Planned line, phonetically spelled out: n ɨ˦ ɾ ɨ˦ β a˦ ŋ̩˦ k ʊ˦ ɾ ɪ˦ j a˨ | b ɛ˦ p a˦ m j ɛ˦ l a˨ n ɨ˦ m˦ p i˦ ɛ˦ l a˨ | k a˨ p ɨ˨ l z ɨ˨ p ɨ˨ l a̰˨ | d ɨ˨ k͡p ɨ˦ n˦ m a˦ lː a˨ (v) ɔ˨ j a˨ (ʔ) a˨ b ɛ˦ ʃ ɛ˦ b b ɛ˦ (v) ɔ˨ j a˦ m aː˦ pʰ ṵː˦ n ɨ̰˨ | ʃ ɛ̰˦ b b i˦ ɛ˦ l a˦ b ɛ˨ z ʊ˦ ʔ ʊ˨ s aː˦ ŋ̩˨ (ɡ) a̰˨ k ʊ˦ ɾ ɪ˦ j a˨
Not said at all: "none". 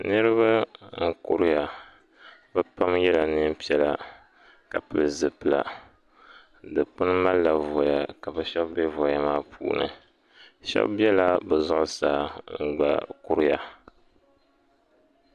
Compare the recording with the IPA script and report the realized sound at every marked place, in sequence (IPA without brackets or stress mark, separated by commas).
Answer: v, k, v, ɡ͡b